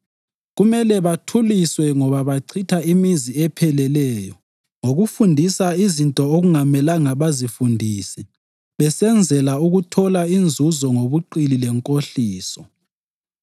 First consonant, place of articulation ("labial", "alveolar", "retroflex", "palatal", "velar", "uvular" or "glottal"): velar